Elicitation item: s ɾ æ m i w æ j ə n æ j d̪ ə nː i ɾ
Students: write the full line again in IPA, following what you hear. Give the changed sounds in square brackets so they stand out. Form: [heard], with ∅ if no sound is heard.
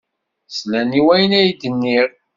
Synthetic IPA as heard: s [l] æ [n] i w æ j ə n æ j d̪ ə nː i ɾ